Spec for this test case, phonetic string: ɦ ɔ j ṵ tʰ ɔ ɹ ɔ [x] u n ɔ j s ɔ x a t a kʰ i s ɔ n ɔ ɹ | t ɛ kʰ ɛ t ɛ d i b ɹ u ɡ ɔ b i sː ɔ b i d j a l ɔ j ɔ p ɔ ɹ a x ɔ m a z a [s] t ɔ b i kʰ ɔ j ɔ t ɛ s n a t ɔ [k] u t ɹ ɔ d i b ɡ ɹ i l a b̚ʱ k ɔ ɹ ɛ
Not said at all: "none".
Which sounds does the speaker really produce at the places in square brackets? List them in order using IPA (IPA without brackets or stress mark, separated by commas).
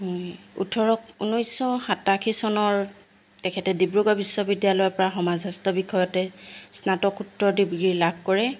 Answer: k, s, k